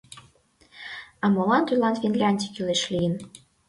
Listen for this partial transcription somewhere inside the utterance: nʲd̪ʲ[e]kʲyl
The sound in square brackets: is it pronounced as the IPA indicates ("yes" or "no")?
no